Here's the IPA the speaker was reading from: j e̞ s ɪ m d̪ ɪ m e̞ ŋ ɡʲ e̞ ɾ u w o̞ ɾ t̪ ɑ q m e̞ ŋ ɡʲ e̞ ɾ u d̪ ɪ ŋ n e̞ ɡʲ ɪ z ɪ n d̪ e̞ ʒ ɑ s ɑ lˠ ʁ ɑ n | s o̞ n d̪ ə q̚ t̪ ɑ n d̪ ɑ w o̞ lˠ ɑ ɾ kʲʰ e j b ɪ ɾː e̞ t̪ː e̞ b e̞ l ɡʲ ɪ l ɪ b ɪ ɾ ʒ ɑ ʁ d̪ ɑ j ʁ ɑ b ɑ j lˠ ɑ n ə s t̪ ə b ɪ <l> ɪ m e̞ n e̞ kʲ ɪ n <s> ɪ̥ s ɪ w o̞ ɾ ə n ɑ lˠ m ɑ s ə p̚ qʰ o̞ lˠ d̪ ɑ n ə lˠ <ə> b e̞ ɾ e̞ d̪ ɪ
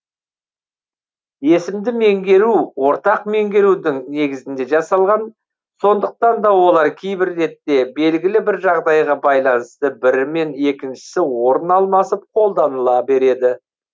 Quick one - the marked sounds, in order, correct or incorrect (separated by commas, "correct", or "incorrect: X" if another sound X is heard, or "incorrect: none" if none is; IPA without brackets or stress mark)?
incorrect: ɾ, incorrect: ʃ, incorrect: ɑ